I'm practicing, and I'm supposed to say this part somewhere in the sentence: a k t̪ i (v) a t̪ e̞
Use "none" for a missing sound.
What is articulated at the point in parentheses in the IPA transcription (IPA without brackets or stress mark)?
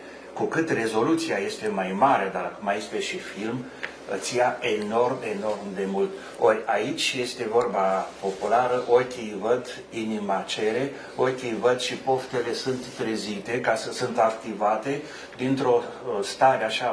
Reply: v